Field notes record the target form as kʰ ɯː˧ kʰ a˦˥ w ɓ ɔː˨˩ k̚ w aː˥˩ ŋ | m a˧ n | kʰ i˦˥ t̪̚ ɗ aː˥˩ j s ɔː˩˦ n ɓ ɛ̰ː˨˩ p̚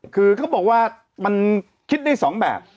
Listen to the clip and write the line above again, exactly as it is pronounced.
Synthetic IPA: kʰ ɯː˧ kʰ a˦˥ w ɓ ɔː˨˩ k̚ w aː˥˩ | m a˧ n | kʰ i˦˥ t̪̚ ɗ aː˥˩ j s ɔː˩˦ ŋ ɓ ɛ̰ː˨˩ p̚